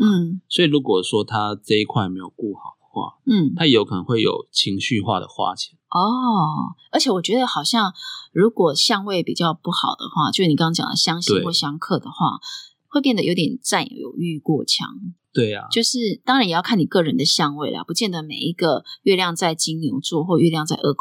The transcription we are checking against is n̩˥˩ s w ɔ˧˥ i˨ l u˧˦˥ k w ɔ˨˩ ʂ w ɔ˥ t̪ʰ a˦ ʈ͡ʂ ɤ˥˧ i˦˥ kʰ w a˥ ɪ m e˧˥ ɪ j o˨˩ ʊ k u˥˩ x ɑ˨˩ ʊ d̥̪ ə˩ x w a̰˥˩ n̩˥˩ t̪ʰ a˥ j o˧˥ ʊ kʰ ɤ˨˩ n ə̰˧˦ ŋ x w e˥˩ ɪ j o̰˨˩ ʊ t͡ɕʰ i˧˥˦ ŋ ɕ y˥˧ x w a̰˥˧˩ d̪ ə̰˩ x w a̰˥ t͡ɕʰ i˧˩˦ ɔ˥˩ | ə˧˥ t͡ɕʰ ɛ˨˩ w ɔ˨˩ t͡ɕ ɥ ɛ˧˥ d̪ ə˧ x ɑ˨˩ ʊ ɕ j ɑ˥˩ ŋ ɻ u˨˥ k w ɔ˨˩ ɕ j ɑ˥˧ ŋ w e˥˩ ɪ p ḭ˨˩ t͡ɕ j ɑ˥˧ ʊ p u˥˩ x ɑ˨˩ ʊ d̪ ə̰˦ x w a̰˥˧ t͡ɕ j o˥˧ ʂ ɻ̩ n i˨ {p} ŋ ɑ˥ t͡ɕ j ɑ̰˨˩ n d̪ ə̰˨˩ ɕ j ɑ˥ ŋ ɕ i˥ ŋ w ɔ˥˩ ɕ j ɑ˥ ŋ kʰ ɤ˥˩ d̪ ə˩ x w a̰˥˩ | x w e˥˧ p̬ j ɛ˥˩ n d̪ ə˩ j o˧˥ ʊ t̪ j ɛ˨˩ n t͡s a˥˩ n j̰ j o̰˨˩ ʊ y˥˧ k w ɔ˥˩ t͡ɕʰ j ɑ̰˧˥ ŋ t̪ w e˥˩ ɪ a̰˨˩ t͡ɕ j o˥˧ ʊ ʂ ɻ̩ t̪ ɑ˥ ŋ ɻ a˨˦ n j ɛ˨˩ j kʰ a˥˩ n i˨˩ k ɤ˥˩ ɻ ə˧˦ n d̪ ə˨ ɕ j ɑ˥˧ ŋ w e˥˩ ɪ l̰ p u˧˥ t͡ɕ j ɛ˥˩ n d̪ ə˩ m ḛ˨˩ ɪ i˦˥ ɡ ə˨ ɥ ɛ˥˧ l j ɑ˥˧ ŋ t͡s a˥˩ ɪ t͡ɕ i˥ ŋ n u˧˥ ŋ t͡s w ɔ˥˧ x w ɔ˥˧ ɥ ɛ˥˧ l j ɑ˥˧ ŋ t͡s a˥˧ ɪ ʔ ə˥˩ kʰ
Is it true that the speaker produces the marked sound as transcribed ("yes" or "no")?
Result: no